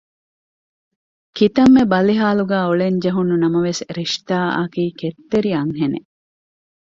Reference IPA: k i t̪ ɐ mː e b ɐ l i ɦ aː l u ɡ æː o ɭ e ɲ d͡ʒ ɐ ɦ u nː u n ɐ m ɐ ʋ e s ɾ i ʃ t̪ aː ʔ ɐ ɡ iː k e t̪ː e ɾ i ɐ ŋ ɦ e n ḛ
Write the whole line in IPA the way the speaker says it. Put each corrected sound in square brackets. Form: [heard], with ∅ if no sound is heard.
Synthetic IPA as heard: k i t̪ ɐ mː e b ɐ l i ɦ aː l u ɡ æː o ɭ e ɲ d͡ʒ ɐ ɦ u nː u n ɐ m ɐ ʋ e s ɾ i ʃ t̪ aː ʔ ɐ [k] iː k e t̪ː e ɾ i ɐ ŋ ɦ e n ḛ